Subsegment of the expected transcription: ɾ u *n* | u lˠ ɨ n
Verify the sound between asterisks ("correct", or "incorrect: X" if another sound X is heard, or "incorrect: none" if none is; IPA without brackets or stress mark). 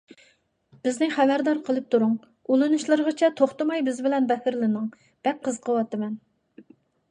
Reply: incorrect: ŋ